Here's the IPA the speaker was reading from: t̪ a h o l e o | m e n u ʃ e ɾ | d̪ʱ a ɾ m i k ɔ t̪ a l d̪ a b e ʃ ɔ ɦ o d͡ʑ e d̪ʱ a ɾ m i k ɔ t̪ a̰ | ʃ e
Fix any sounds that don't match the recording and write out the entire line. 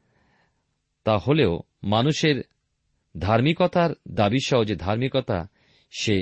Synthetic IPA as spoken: t̪ a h o l e o | m a n u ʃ e ɾ | d̪ʱ a ɾ m i k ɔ t̪ a ɾ d̪ a b i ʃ ɔ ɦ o d͡ʑ e d̪ʱ a ɾ m i k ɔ t̪ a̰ | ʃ e